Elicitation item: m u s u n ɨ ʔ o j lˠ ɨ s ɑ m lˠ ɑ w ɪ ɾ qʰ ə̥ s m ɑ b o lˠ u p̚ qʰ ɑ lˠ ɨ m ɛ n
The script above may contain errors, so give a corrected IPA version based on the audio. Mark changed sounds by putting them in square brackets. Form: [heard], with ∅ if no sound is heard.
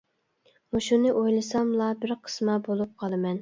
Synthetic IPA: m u [ʃ] u n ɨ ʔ o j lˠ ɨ s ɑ m lˠ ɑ [b] ɪ ɾ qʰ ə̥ s m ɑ b o lˠ u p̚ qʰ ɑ lˠ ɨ m ɛ n